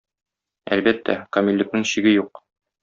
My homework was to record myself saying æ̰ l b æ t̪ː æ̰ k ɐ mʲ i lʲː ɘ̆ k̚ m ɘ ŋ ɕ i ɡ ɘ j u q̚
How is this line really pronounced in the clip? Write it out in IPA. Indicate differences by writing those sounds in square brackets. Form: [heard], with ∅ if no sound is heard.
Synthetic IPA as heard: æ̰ l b æ t̪ː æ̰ k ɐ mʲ i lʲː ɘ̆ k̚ [n] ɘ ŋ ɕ i ɡ ɘ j u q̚

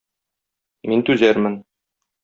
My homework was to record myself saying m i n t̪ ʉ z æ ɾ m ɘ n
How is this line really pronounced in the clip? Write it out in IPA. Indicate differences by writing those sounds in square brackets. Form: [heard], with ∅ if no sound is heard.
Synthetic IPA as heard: m i n t̪ ʉ z æ ɾ m ɘ n

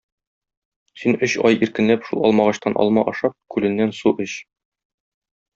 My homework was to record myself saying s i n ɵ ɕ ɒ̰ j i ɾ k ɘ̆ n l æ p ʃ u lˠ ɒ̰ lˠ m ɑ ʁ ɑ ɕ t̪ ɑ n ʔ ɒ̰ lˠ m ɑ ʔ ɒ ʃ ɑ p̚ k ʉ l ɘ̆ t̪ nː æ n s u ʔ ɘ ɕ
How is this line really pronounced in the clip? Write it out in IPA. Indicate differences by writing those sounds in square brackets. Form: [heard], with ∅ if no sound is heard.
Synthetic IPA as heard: s i n ɵ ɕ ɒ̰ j i ɾ k ɘ̆ n l æ p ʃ u lˠ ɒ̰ lˠ m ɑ ʁ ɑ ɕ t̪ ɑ n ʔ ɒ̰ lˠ m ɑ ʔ ɒ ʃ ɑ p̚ k ʉ l ɘ̆ [∅] nː æ n s u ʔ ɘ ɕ

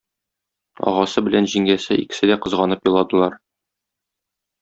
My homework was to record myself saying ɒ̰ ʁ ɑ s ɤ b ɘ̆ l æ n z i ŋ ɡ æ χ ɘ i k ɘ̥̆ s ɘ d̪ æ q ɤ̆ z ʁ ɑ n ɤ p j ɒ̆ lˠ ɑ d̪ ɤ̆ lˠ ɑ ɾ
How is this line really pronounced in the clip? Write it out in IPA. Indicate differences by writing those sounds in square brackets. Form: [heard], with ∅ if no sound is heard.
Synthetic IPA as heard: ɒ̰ ʁ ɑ s ɤ b ɘ̆ l æ n [ʑ] i ŋ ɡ æ [s] ɘ i k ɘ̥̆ s ɘ d̪ æ q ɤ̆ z ʁ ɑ n ɤ p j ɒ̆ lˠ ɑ d̪ ɤ̆ lˠ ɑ ɾ

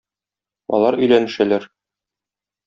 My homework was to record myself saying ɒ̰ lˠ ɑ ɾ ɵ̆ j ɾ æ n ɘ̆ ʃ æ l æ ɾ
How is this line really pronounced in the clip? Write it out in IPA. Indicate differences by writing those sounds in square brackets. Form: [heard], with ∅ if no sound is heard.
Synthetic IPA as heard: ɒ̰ lˠ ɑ ɾ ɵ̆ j [l] æ n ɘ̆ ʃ æ l æ ɾ

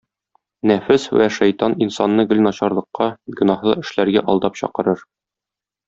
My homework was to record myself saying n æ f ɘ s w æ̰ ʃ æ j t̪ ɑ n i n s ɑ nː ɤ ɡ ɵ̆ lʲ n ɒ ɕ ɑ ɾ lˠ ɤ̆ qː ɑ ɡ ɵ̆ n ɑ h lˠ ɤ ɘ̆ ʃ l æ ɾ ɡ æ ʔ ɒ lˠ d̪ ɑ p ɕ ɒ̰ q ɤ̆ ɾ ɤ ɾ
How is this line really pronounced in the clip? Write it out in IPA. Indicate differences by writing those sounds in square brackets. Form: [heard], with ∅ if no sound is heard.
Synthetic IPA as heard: n æ f ɘ s w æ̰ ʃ æ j t̪ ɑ n i n s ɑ nː ɤ ɡ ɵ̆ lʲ n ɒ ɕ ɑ ɾ lˠ ɤ̆ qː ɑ ɡ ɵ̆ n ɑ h lˠ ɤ ɘ̆ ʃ l æ ɾ ɡ æ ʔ ɒ lˠ d̪ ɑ p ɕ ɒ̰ q ɤ̆ ɾ ɤ ɾ

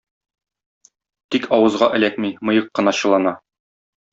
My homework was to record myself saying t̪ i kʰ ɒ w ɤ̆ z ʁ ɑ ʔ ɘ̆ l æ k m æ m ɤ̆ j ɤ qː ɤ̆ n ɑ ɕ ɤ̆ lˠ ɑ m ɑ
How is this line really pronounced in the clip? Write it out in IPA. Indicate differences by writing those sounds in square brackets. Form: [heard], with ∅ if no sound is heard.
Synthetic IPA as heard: t̪ i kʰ ɒ w ɤ̆ z ʁ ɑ ʔ ɘ̆ l æ k m [i] m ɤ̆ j ɤ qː ɤ̆ n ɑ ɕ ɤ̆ lˠ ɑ [n] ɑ

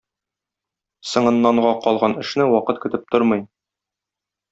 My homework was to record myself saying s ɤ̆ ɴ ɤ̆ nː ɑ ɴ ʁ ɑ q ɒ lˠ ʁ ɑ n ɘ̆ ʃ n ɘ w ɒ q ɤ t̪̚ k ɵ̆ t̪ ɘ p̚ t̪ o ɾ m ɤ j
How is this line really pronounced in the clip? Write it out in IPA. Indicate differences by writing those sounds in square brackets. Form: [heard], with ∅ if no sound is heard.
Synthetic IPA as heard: s ɤ̆ ɴ ɤ̆ nː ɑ ɴ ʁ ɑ q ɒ lˠ ʁ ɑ n ɘ̆ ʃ n ɘ w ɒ q ɤ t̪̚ k ɵ̆ t̪ ɘ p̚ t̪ o ɾ m ɤ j

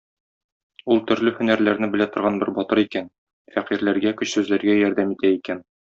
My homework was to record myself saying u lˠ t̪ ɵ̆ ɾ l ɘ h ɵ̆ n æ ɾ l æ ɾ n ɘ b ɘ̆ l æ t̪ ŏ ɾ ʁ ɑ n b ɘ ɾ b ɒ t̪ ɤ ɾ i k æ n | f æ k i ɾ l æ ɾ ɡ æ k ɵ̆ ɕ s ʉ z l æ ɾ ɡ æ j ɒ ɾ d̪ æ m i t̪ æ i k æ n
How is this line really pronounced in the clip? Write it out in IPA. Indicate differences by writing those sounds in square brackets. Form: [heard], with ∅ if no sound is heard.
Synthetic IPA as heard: u lˠ t̪ ɵ̆ ɾ l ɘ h ɵ̆ n æ ɾ l æ ɾ n ɘ b ɘ̆ l æ t̪ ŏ ɾ ʁ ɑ n b ɘ ɾ b ɒ t̪ ɤ ɾ i k æ n | f æ [q] i ɾ l æ ɾ ɡ æ k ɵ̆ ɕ s ʉ z l æ ɾ ɡ æ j ɒ ɾ d̪ æ m i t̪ æ i k æ n

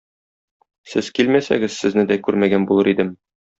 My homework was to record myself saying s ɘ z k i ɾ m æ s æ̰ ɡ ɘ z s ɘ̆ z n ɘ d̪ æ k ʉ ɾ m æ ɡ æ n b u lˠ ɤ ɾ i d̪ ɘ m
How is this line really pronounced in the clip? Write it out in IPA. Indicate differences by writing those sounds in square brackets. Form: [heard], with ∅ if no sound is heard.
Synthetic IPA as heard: s ɘ z k i [l] m æ s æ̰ ɡ ɘ z s ɘ̆ z n ɘ d̪ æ k ʉ ɾ m æ ɡ æ n b u lˠ ɤ ɾ i d̪ ɘ m

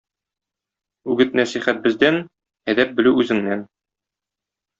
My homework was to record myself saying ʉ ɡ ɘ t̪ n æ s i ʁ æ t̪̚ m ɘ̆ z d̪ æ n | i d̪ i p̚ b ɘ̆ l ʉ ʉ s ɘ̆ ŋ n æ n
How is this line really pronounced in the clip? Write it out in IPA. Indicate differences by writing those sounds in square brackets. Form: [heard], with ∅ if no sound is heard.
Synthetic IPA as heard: ʉ ɡ ɘ t̪ n æ s i [χ] æ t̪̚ [b] ɘ̆ z d̪ æ n | [æ] d̪ [æ] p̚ b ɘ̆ l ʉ ʉ [z] ɘ̆ ŋ n æ n

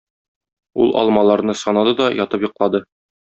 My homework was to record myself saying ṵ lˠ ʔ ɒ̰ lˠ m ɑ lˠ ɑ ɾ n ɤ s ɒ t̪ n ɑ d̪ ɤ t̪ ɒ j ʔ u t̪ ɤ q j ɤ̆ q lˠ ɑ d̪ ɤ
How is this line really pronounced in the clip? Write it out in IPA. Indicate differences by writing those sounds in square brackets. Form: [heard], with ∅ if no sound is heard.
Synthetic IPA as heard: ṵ lˠ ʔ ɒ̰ lˠ m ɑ lˠ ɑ ɾ n ɤ s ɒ [∅] n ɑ d̪ ɤ [d̪] ɒ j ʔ [ɒ] t̪ ɤ [p] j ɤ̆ q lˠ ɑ d̪ ɤ

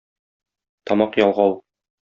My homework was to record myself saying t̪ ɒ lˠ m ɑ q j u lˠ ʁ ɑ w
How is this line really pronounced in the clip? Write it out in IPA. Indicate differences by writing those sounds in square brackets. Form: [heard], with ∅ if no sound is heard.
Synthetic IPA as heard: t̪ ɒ [∅] m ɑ q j [ɒ] lˠ ʁ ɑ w

